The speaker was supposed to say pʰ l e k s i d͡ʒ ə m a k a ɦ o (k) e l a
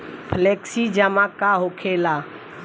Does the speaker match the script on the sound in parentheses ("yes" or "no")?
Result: no